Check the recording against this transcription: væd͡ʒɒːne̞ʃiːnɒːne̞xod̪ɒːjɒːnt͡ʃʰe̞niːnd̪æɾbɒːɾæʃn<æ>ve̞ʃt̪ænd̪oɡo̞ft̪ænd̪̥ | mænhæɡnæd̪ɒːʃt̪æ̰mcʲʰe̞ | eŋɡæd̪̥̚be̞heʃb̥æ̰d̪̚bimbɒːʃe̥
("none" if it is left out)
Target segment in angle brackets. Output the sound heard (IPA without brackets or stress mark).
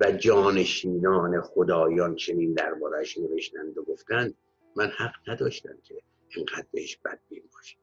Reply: e